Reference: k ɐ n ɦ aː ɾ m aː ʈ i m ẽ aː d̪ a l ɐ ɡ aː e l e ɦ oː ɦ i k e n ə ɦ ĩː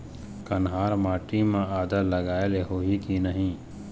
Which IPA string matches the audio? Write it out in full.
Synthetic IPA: k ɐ n ɦ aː ɾ m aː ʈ i m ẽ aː d̪ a l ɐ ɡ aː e l e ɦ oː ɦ i k i n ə ɦ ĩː

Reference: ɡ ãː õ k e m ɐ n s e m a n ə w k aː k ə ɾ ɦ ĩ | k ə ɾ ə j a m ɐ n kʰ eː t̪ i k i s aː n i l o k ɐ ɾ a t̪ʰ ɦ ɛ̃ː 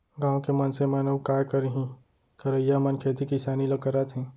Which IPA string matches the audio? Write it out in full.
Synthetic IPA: ɡ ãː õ k e m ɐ n s e m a n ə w k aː k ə ɾ ɦ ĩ | k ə ɾ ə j a m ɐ n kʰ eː t̪ i k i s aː n i l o k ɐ ɾ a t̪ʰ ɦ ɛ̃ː

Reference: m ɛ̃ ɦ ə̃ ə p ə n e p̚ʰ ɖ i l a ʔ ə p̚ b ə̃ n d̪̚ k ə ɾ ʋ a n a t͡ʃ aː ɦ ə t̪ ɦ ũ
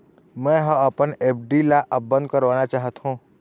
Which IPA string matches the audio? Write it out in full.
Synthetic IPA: m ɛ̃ ɦ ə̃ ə p ə n e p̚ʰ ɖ i l a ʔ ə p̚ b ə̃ n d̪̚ k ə ɾ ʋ a n a t͡ʃ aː ɦ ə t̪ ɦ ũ

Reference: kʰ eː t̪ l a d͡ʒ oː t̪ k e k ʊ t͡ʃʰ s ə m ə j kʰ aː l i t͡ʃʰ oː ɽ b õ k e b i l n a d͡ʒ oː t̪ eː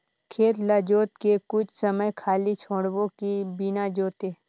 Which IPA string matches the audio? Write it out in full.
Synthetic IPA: kʰ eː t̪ l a d͡ʒ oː t̪ k e k ʊ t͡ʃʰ s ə m ə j kʰ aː l i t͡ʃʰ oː ɽ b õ k i b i n a d͡ʒ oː t̪ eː

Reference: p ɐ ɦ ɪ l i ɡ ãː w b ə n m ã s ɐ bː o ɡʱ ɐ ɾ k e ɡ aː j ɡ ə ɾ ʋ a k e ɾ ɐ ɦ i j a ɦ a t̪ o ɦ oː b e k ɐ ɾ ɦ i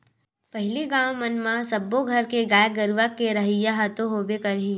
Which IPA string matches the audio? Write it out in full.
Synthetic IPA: p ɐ ɦ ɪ l i ɡ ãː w m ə n m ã s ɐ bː o ɡʱ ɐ ɾ k e ɡ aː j ɡ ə ɾ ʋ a k e ɾ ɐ ɦ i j a ɦ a t̪ o ɦ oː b e k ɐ ɾ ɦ i

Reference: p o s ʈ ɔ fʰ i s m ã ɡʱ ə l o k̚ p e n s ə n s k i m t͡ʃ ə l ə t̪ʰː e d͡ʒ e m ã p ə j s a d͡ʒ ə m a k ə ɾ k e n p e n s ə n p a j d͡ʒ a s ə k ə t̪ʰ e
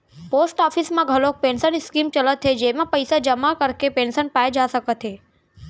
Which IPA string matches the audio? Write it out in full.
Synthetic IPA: p o s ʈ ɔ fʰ i s m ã ɡʱ ə l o k̚ p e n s ə n s k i m t͡ʃ ə l ə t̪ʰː e d͡ʒ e m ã p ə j s a d͡ʒ ə m a k ə ɾ k e p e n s ə n p a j d͡ʒ a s ə k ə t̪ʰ e

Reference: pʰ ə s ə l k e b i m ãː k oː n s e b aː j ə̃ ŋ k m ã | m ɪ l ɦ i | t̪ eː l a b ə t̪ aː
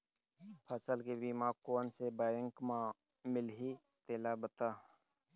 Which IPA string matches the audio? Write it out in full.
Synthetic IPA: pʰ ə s ə l k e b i m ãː k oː n s e b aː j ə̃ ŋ k m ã | m ɪ l ɦ i | t̪ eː l a b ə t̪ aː

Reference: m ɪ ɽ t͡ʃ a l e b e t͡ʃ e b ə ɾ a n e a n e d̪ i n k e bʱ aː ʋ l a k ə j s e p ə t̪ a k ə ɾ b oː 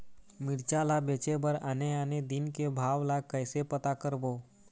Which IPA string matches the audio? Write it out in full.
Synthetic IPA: m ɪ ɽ t͡ʃ a l a b e t͡ʃ e b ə ɾ a n e a n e d̪ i n k e bʱ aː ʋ l a k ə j s e p ə t̪ a k ə ɾ b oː

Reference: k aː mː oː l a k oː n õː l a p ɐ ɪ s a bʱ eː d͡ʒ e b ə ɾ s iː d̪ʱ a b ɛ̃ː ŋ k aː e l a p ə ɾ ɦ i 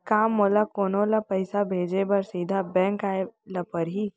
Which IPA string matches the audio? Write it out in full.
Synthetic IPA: k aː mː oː l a k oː n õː l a p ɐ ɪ s a bʱ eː d͡ʒ e b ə ɾ s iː d̪ʱ a b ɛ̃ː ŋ k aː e l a p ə ɾ ɦ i

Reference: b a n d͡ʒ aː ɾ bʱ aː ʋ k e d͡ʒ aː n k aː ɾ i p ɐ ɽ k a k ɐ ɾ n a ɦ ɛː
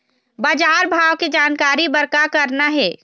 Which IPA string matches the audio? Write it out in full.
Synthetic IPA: b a d͡ʒ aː ɾ bʱ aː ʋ k e d͡ʒ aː n k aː ɾ i b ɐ ɾ k a k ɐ ɾ n a ɦ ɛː

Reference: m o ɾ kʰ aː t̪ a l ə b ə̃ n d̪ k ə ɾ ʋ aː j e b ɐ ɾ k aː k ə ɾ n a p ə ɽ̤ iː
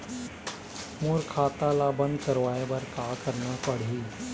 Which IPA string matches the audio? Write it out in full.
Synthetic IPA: m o ɾ kʰ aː t̪ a l a b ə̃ n d̪ k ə ɾ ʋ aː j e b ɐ ɾ k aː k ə ɾ n a p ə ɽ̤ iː

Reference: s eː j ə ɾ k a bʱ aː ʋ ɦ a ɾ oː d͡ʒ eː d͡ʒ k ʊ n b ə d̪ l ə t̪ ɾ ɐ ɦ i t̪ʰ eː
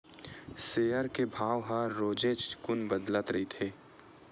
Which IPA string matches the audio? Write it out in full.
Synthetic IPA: s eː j ə ɾ k e bʱ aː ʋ ɦ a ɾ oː d͡ʒ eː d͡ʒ k ʊ n b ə d̪ l ə t̪ ɾ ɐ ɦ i t̪ʰ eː

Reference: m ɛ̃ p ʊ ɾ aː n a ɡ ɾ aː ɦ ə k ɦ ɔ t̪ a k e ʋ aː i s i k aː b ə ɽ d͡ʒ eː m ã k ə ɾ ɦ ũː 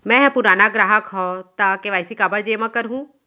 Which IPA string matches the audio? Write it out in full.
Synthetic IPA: m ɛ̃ p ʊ ɾ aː n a ɡ ɾ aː ɦ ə k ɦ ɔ t̪ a k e ʋ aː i s i k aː b ə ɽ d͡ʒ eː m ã k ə ɾ ɦ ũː

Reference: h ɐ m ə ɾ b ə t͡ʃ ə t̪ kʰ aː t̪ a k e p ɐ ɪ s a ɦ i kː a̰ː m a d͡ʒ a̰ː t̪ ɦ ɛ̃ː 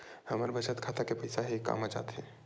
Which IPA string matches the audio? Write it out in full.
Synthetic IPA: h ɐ m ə ɾ b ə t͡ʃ ə t̪ kʰ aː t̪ a k e p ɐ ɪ s a ɦ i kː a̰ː m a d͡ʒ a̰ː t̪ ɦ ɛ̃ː

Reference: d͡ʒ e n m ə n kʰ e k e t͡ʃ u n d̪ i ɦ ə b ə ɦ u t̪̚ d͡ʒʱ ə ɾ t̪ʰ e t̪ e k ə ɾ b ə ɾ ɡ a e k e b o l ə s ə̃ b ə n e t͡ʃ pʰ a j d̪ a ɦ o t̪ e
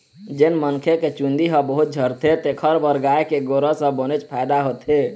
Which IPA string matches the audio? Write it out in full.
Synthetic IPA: d͡ʒ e n m ə n kʰ e k e t͡ʃ u n d̪ i ɦ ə b ə ɦ u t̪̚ d͡ʒʱ ə ɾ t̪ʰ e t̪ e kʰ ə ɾ b ə ɾ ɡ a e k e ɡ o ɾ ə s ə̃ b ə n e t͡ʃ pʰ a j d̪ a ɦ o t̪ e

